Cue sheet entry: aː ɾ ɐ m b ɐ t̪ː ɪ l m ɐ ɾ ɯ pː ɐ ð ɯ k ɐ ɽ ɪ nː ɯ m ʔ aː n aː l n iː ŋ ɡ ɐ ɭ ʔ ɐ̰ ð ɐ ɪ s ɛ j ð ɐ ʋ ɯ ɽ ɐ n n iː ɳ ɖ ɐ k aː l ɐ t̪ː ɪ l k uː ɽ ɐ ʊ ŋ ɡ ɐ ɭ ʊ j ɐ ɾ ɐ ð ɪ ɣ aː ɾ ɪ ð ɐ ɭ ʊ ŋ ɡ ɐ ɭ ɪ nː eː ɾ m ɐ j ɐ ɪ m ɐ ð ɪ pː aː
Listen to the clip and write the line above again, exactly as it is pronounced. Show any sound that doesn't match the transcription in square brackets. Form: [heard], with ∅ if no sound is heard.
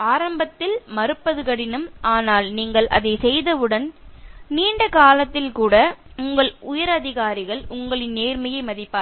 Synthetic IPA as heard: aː ɾ ɐ m b ɐ t̪ː ɪ l m ɐ ɾ ɯ pː ɐ ð ɯ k ɐ ɽ ɪ [n] ɯ m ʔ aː n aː l n iː ŋ ɡ ɐ ɭ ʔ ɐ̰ ð ɐ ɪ s ɛ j ð ɐ ʋ ɯ ɽ ɐ n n iː ɳ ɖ ɐ k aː l ɐ t̪ː ɪ l k uː ɽ ɐ ʊ ŋ ɡ ɐ ɭ ʊ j ɐ ɾ ɐ ð ɪ ɣ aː ɾ ɪ [ɣ] ɐ ɭ ʊ ŋ ɡ ɐ ɭ ɪ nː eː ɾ m ɐ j ɐ ɪ m ɐ ð ɪ pː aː